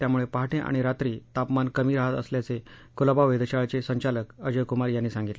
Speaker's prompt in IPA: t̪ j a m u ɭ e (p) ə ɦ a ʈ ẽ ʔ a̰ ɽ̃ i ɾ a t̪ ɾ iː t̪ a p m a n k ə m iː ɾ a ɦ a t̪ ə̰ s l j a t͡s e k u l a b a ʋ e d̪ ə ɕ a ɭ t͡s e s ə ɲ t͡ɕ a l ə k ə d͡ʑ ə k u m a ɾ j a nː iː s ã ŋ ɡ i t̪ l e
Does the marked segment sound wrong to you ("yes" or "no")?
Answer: no